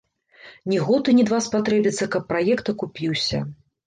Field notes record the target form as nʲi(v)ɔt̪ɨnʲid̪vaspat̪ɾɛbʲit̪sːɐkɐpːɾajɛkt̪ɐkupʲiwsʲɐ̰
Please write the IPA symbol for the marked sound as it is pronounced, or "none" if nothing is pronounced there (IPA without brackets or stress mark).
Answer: ɣ